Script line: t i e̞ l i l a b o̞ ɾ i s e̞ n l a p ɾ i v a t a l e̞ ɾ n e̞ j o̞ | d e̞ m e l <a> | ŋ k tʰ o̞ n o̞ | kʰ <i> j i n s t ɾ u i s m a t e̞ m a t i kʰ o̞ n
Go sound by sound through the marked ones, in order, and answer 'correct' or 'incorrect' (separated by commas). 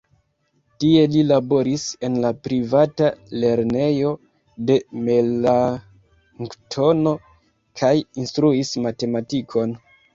correct, incorrect